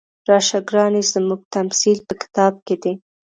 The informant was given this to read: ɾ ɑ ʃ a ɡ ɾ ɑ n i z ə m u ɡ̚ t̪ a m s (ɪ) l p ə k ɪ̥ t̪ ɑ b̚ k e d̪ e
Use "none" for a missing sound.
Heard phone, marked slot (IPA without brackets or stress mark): i